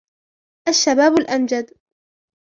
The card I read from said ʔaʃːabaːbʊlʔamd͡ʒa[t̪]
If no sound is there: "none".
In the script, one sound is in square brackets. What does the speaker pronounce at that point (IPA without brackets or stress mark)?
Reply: d̪